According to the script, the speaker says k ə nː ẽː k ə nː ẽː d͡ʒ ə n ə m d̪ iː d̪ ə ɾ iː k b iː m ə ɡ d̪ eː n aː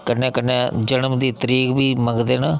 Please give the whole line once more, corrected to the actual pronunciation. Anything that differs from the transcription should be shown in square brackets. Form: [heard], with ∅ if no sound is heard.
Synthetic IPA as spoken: k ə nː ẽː k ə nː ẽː d͡ʒ ə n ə m d̪ iː [t̪] ə ɾ iː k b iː m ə ɡ d̪ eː n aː